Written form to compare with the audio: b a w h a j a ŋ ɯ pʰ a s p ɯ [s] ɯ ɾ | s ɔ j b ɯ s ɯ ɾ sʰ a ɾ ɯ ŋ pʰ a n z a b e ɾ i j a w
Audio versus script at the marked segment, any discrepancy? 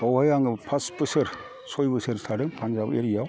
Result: no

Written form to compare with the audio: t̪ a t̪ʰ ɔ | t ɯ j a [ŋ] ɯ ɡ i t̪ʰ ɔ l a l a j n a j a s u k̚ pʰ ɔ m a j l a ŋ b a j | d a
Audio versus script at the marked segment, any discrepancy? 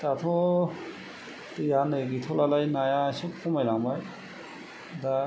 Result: yes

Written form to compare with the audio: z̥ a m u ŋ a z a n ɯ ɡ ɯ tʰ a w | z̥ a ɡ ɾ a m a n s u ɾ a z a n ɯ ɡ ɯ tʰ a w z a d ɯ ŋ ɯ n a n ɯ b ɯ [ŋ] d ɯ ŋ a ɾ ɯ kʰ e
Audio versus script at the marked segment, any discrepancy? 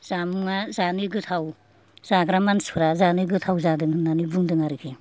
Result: no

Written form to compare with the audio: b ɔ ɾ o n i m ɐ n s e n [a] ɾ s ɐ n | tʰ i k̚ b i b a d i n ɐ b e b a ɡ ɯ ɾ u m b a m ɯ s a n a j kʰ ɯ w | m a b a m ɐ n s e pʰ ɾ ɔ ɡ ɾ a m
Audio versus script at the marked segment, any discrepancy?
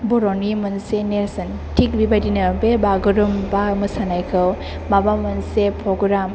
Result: yes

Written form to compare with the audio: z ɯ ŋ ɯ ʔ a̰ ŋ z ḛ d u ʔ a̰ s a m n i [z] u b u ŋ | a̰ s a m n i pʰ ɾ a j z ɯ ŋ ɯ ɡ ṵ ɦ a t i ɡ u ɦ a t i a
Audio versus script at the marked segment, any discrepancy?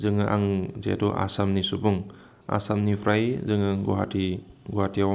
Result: yes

